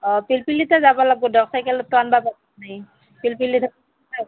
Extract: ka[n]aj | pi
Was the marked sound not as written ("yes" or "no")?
no